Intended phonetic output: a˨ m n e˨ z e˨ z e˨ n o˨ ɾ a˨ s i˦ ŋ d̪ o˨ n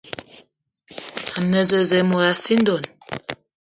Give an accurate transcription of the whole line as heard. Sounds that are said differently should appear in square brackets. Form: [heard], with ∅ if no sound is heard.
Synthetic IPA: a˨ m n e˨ z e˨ z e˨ [m] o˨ ɾ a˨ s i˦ [n] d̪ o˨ n